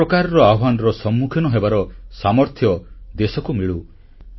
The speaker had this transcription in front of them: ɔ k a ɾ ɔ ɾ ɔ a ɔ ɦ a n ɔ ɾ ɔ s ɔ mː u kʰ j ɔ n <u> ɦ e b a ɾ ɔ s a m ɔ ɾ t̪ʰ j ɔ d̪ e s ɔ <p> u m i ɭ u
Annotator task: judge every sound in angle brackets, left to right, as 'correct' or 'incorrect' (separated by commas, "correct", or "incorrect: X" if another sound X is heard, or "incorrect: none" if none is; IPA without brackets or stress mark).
incorrect: ɔ, incorrect: k